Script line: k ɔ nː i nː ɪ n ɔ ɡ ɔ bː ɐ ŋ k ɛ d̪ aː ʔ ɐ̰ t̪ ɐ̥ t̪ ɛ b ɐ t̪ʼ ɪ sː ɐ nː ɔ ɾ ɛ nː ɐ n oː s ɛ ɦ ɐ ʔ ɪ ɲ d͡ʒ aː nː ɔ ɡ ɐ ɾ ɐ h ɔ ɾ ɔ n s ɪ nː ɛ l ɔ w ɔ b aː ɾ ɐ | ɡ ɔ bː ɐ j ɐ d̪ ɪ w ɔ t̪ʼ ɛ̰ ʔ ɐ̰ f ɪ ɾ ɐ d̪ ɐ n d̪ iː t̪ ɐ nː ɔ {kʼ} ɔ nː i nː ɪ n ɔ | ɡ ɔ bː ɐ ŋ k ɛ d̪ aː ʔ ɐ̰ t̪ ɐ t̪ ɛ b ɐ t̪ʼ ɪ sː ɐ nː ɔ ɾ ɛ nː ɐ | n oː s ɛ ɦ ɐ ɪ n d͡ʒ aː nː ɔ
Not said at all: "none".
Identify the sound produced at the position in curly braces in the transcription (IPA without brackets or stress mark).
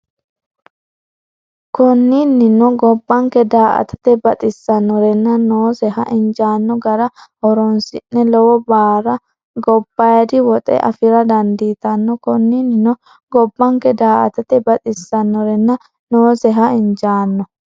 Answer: k